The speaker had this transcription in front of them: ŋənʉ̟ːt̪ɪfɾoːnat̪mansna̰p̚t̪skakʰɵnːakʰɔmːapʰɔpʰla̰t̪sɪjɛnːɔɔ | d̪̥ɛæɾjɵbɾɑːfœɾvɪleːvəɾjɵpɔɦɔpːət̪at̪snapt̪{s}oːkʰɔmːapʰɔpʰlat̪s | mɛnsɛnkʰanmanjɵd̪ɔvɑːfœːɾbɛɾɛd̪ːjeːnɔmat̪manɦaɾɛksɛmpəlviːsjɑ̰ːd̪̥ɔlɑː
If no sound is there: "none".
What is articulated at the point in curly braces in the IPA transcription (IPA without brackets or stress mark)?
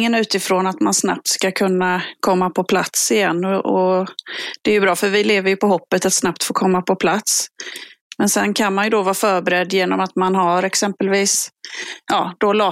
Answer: f